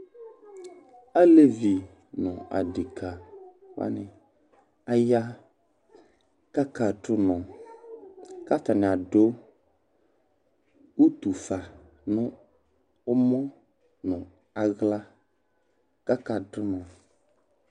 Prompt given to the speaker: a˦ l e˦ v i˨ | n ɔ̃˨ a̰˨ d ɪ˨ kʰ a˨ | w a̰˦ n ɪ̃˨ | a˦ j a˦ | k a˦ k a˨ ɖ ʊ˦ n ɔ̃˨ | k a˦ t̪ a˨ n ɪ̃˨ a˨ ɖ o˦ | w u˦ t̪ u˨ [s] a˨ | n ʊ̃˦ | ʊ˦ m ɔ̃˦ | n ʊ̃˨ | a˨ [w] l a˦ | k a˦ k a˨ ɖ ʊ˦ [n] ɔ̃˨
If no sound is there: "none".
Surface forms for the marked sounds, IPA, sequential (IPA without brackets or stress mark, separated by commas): f, ɣ, n